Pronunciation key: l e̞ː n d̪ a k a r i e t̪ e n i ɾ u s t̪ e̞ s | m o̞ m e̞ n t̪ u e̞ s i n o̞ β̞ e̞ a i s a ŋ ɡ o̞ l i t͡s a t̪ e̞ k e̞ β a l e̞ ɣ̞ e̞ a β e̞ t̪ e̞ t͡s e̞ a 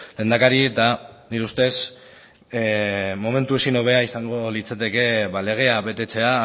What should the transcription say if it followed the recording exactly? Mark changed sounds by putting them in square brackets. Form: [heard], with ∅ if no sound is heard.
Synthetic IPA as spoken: l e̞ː n d̪ a k a [ɾ] i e t̪ [a] n i ɾ u s t̪ e̞ s | m o̞ m e̞ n t̪ u e̞ s i n o̞ β̞ e̞ a i s a ŋ ɡ o̞ l i t͡s a t̪ e̞ k e̞ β a l e̞ ɣ̞ e̞ a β e̞ t̪ e̞ t͡s e̞ a